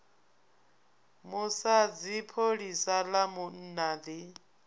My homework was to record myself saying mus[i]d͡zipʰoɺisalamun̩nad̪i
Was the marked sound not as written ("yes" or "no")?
yes